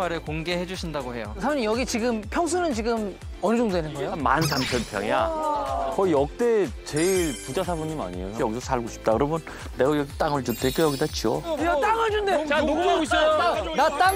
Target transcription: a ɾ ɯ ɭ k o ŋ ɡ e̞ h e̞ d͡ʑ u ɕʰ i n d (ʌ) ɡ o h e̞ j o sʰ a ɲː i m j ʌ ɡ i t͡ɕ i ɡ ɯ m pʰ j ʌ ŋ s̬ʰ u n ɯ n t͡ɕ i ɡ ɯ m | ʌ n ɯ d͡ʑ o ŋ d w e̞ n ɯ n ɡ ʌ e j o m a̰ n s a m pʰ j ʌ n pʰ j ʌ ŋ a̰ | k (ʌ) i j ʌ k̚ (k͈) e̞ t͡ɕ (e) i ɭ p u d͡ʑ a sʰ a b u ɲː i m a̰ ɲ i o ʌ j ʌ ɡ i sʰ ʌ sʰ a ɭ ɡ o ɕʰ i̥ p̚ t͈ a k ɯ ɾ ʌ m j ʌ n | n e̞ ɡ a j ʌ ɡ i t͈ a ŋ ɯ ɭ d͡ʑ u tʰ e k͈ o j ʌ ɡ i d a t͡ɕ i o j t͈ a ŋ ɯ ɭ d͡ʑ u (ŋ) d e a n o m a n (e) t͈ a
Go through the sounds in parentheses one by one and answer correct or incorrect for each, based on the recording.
incorrect, correct, incorrect, correct, incorrect, incorrect

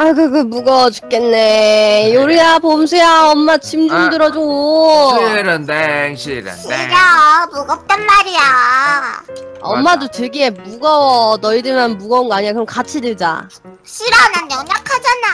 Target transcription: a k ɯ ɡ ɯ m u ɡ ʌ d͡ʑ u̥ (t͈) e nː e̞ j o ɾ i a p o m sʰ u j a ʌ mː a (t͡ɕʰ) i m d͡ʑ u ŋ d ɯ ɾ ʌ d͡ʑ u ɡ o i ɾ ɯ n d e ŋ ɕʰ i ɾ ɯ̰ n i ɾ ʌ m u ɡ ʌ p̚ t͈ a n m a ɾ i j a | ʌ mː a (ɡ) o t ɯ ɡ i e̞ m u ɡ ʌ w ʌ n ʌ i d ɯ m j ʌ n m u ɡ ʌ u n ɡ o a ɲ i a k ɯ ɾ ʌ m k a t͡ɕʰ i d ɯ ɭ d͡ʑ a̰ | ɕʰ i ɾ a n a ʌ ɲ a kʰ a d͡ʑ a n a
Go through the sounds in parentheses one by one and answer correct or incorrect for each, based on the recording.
incorrect, correct, incorrect

